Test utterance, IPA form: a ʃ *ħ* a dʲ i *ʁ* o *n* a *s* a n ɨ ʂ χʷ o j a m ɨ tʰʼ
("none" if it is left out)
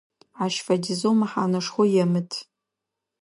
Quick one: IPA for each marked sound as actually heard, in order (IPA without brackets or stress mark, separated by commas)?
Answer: f, z, m, ħ